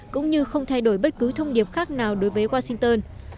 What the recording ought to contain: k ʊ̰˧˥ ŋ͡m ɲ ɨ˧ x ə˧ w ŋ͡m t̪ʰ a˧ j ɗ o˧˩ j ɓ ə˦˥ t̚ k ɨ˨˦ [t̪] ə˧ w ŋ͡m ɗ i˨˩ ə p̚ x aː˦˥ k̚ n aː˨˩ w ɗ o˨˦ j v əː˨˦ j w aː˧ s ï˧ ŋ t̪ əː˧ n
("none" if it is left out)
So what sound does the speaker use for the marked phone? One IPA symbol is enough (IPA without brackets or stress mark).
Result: t̪ʰ